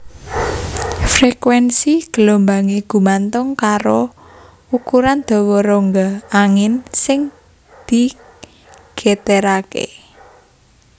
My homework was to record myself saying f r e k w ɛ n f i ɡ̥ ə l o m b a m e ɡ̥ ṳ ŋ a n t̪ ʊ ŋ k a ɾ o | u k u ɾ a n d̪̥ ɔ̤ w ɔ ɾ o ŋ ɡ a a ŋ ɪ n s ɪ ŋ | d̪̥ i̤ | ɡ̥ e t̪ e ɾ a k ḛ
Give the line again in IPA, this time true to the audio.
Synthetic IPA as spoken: f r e k w ɛ n s i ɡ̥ ə l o m b a ŋ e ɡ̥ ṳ m a n t̪ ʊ ŋ k a ɾ o | u k u ɾ a n d̪̥ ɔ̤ w ɔ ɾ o ŋ ɡ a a ŋ ɪ n s ɪ ŋ | d̪̥ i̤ | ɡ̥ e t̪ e ɾ a k ḛ